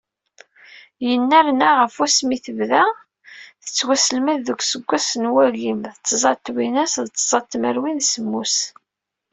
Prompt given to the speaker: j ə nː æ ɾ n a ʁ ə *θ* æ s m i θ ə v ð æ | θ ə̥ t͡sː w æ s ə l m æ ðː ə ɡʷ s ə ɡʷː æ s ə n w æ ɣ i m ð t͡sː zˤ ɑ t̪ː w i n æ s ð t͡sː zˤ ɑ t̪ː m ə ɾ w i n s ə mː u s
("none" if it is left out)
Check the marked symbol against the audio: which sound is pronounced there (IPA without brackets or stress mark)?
f